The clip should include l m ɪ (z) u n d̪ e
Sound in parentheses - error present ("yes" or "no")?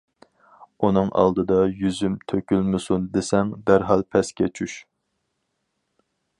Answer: yes